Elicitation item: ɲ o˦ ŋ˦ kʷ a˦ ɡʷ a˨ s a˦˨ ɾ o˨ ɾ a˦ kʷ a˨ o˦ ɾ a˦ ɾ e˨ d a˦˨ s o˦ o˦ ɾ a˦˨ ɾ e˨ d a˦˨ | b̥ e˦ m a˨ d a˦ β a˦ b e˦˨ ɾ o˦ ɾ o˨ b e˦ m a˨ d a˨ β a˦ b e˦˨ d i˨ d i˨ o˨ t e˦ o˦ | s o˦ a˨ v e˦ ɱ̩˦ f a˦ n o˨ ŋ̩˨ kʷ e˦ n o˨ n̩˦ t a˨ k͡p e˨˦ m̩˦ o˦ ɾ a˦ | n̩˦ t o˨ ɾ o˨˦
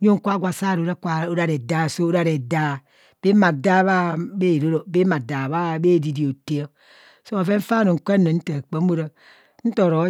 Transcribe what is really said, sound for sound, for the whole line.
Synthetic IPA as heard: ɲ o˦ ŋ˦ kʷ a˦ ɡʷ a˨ s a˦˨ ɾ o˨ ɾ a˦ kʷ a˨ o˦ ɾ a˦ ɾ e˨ d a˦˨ s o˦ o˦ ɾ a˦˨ ɾ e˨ d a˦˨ | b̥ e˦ m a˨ d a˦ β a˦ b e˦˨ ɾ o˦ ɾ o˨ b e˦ m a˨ d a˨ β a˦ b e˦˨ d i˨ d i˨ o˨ t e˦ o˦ | s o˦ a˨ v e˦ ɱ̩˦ f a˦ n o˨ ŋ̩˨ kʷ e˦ n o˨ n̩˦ t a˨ k͡p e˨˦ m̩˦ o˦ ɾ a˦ | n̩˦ t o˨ ɾ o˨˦